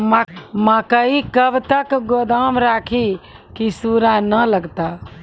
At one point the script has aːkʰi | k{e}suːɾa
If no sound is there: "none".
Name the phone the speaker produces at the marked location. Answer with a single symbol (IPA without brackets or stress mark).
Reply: i